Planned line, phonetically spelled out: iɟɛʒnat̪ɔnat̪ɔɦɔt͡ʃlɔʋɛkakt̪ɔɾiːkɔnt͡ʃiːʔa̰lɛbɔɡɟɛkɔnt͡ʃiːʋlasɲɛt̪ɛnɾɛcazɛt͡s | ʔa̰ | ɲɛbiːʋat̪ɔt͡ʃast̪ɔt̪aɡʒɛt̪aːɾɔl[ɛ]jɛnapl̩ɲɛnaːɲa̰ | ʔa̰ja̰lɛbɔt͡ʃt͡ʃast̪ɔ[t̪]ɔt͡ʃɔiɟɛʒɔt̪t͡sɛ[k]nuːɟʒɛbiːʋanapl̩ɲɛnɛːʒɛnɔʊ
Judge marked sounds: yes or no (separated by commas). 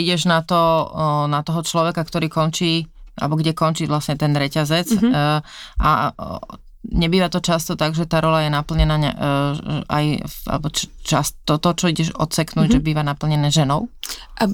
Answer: no, yes, yes